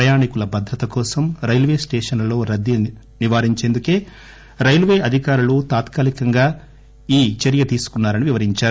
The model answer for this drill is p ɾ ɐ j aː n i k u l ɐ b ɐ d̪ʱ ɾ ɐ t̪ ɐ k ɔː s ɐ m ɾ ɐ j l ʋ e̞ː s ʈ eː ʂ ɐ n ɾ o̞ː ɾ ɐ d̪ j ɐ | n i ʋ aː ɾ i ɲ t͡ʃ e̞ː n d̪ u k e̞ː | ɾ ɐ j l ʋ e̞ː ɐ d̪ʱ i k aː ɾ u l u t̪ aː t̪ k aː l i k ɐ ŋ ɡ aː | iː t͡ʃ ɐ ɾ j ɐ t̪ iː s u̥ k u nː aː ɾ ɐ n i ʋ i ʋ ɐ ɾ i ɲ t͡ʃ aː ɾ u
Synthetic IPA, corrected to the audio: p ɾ ɐ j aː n i k u l ɐ b ɐ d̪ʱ ɾ ɐ t̪ ɐ k ɔː s ɐ m ɾ ɐ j l ʋ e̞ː s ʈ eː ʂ ɐ n l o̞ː ɾ ɐ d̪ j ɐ | n i ʋ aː ɾ i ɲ t͡ʃ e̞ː n d̪ u k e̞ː | ɾ ɐ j l ʋ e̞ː ɐ d̪ʱ i k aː ɾ u l u t̪ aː t̪ k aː l i k ɐ ŋ ɡ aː | iː t͡ʃ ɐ ɾ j ɐ t̪ iː s u̥ k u nː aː ɾ ɐ n i ʋ i ʋ ɐ ɾ i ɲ t͡ʃ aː ɾ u